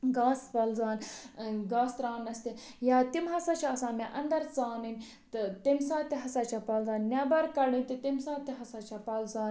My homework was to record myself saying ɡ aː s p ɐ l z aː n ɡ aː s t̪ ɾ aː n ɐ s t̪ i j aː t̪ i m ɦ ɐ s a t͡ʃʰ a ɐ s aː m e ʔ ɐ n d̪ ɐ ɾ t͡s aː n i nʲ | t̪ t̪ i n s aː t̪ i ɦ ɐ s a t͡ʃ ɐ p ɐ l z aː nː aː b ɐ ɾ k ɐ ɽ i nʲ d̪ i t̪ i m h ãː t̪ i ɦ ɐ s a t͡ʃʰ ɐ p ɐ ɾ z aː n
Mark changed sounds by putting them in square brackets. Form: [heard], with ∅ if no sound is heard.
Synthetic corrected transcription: ɡ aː s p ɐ l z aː n ɡ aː s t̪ ɾ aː n ɐ s t̪ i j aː t̪ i m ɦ ɐ s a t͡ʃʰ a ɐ s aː m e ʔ ɐ n d̪ ɐ ɾ t͡s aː n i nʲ | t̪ t̪ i [m] s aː t̪ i ɦ ɐ s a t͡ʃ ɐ p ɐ l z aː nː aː b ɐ ɾ k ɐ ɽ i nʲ [t̪] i t̪ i m [s] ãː t̪ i ɦ ɐ s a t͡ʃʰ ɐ p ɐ [l] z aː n